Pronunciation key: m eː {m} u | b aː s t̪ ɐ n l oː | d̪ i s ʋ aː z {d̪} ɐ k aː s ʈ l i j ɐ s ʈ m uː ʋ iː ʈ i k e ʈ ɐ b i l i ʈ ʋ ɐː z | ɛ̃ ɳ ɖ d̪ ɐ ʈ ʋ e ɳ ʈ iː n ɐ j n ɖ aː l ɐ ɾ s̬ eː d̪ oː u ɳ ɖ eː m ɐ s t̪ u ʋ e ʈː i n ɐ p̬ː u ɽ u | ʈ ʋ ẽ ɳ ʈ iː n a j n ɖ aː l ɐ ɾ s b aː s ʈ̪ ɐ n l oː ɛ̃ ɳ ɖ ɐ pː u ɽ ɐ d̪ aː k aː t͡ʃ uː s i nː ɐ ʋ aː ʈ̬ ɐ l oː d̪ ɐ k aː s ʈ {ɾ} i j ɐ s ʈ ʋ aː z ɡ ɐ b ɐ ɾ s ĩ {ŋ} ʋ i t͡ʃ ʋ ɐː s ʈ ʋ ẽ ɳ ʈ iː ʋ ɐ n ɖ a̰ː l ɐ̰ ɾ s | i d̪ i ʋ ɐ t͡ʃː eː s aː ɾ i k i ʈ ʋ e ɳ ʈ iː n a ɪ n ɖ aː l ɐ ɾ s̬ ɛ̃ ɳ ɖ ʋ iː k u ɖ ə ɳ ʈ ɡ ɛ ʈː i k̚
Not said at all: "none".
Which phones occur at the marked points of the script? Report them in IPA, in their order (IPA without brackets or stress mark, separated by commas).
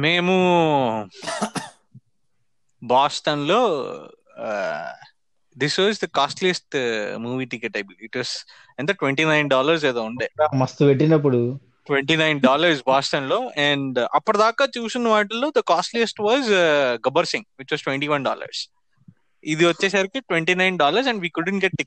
m, d̪, l, ŋ